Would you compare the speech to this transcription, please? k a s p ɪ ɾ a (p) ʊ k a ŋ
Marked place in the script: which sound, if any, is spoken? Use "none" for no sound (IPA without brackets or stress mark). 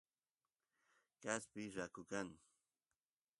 k